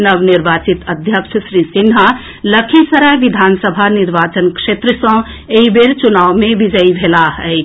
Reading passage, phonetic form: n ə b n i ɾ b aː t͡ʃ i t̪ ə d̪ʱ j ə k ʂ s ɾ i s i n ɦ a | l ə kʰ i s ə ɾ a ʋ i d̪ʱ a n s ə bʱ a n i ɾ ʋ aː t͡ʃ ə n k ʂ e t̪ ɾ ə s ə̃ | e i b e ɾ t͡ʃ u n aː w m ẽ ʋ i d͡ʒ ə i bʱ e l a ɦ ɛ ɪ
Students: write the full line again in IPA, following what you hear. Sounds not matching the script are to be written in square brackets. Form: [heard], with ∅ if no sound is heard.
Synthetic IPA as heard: n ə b n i ɾ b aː t͡ʃ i t̪ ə d̪ʱ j ə k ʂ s ɾ i s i n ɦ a | l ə kʰ i s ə ɾ a ʋ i d̪ʱ a n s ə bʱ a n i ɾ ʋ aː t͡ʃ ə n k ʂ e t̪ ɾ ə s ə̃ | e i b e ɾ t͡ʃ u n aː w m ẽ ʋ i d͡ʒ ə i bʱ e l a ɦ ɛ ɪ